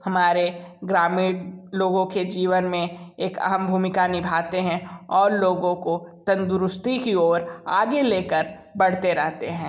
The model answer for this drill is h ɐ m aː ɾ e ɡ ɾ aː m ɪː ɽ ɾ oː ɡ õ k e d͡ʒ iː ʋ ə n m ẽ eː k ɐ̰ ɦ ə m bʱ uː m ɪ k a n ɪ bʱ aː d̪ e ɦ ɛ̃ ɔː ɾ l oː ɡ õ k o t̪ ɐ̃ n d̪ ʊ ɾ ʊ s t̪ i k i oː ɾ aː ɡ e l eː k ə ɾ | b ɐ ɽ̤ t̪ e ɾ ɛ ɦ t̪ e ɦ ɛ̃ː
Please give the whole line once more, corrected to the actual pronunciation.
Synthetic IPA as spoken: h ɐ m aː ɾ e ɡ ɾ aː m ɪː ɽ l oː ɡ õ k e d͡ʒ iː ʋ ə n m ẽ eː k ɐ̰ ɦ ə m bʱ uː m ɪ k a n ɪ bʱ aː t̪ e ɦ ɛ̃ ɔː ɾ l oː ɡ õ k o t̪ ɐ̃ n d̪ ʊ ɾ ʊ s t̪ i k i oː ɾ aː ɡ e l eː k ə ɾ | b ɐ ɽ̤ t̪ e ɾ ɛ ɦ t̪ e ɦ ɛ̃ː